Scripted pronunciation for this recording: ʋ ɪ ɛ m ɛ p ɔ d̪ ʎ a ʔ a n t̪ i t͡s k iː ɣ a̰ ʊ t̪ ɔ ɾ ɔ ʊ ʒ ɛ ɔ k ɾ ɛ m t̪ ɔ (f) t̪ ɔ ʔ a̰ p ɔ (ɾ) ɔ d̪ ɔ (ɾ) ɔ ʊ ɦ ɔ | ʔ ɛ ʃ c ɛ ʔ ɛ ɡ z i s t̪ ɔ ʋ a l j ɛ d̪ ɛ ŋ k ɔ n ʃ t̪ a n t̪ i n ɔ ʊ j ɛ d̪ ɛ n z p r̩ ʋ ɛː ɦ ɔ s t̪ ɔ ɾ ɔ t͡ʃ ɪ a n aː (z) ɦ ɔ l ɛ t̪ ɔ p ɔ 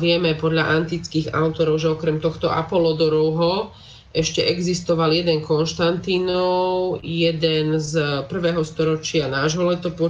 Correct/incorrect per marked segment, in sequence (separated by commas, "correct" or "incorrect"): incorrect, incorrect, correct, incorrect